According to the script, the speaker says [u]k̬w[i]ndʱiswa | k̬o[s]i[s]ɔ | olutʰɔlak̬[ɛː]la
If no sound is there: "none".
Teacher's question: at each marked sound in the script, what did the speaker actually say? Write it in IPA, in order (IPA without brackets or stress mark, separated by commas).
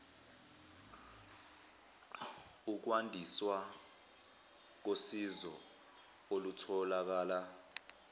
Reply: u, a, s, z, aː